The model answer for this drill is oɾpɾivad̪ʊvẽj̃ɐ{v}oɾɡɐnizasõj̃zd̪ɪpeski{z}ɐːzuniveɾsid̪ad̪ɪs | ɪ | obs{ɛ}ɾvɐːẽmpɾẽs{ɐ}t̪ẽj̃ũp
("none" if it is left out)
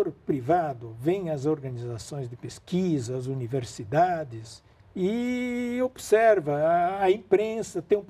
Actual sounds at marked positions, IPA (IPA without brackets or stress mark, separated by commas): z, z, ɛ, ɐ